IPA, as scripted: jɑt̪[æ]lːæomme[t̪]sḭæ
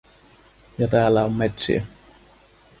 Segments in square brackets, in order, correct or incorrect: incorrect: æː, correct

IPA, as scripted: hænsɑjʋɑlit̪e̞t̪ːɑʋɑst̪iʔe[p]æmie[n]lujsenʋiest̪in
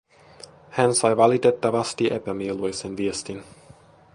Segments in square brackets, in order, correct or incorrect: correct, incorrect: none

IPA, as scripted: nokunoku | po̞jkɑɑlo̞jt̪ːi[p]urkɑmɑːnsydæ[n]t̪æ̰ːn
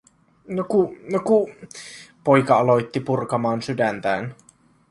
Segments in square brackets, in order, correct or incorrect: correct, correct

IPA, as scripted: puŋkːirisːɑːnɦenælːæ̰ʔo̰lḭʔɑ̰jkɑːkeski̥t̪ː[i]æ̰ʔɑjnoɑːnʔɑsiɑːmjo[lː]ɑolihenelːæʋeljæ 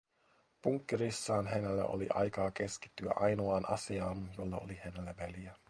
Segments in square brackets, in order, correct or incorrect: incorrect: y, correct

